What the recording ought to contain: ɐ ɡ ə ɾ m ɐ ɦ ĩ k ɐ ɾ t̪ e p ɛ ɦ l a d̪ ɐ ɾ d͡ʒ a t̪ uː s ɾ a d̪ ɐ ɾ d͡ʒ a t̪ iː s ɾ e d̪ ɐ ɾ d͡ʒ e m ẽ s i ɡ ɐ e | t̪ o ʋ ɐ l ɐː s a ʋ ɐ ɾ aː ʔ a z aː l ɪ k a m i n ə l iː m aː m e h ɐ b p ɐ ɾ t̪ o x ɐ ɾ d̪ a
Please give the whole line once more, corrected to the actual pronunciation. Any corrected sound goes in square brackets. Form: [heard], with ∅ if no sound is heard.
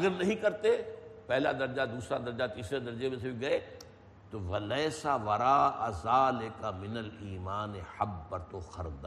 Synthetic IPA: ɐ ɡ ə ɾ [n] ɐ ɦ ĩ k ɐ ɾ t̪ e p ɛ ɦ l a d̪ ɐ ɾ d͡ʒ a [d̪] uː s ɾ a d̪ ɐ ɾ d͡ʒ a t̪ iː s ɾ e d̪ ɐ ɾ d͡ʒ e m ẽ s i ɡ ɐ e | t̪ o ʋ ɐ l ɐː s a ʋ ɐ ɾ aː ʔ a z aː l ɪ k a m [ɪ] n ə l iː m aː [n] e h ɐ b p ɐ ɾ t̪ o x ɐ ɾ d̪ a